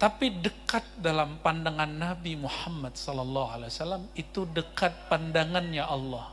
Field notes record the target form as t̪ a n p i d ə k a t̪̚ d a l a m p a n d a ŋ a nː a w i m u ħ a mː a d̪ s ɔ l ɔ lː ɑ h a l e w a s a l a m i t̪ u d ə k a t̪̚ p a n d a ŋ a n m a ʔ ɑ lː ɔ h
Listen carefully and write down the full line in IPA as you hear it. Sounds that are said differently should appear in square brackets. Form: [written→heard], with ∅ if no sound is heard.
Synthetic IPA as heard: t̪ a [n→∅] p i d ə k a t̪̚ d a l a m p a n d a ŋ a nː a [w→b] i m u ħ a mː a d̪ s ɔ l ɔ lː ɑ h a l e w a s a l a m i t̪ u d ə k a t̪̚ p a n d a ŋ a n [m→ɲ] a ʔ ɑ lː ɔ h

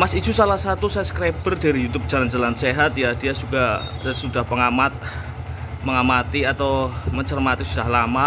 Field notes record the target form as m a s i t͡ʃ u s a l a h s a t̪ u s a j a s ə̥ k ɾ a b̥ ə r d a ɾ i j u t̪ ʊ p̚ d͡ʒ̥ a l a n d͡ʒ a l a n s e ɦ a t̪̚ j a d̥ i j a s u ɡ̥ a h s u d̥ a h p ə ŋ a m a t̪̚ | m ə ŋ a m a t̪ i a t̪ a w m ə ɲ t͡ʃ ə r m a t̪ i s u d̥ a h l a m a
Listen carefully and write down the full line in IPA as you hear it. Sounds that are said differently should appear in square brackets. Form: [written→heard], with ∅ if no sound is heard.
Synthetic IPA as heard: m a s i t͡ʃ u s a l a h s a t̪ u s a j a s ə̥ k ɾ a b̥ ə r d a ɾ i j u t̪ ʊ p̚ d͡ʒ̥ a l a n d͡ʒ a l a n s e ɦ a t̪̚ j a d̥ i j a s u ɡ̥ a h s u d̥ a h p ə ŋ a m a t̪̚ | m ə ŋ a m a t̪ i a t̪ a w m ə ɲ t͡ʃ ə r m a t̪ i s u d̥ a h l a m a

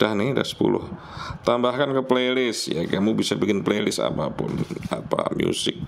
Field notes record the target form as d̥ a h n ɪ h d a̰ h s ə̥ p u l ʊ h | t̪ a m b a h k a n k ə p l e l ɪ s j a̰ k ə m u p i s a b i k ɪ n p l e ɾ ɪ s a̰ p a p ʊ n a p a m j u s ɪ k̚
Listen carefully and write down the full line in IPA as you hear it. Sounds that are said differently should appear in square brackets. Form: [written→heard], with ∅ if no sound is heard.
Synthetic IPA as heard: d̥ a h n ɪ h d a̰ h s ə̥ p u l ʊ h | t̪ a m b a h k a n k ə p l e l ɪ s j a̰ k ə m u [p→b] i s a b i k ɪ n p l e [ɾ→l] ɪ s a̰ p a p ʊ n a p a m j u s ɪ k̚

